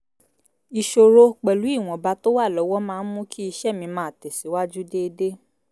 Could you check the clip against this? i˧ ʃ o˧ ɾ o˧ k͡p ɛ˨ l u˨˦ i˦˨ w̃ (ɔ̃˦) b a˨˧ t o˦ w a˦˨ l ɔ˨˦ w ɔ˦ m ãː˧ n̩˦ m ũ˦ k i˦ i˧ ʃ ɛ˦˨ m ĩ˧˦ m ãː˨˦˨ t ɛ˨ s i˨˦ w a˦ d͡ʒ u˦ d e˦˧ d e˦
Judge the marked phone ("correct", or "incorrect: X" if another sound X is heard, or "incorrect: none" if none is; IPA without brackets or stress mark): incorrect: ɔ̃˨